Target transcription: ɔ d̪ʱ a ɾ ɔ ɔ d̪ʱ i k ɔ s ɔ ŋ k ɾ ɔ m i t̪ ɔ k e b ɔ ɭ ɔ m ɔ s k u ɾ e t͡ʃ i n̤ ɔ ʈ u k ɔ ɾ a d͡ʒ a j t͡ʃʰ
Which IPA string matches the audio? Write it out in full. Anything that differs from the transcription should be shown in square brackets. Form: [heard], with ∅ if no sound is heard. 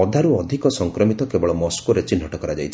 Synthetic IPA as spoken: ɔ d̪ʱ a ɾ [u] ɔ d̪ʱ i k ɔ s ɔ ŋ k ɾ ɔ m i t̪ ɔ k e b ɔ ɭ ɔ m ɔ s k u ɾ e t͡ʃ i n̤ ɔ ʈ [ɔ] k ɔ ɾ a d͡ʒ a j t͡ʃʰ